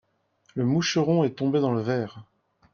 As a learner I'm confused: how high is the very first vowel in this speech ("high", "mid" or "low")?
mid